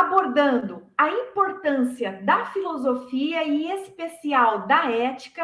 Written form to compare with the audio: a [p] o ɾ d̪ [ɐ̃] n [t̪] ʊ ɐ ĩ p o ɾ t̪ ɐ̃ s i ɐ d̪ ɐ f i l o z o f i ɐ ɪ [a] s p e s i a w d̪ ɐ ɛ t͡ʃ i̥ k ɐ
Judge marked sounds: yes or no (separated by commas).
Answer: no, yes, no, no